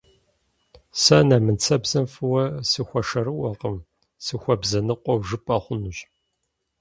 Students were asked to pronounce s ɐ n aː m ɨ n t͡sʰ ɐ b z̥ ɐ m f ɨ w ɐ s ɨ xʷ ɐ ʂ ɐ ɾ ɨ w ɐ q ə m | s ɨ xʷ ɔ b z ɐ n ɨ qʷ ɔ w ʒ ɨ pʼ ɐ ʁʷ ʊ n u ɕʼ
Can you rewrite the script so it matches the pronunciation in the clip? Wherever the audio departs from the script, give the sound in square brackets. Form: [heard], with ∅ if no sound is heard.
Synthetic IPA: s ɐ n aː m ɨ n t͡sʰ ɐ b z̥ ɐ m f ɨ w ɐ s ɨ xʷ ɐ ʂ ɐ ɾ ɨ w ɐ q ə m | s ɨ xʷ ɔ b z ɐ n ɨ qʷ ɔ w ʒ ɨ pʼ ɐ [χʷ] ʊ n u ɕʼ